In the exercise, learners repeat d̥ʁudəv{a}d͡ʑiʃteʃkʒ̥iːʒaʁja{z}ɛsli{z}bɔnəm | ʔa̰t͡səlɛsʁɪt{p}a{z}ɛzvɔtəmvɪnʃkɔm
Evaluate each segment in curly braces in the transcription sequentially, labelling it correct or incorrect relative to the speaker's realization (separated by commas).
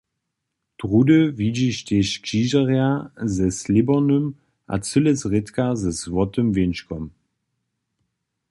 incorrect, correct, incorrect, incorrect, correct